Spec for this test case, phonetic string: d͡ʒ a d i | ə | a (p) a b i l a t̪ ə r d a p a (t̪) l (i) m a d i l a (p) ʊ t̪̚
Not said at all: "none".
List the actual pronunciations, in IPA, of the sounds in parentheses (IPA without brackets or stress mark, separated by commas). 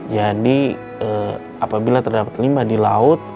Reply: p, t̪, i, none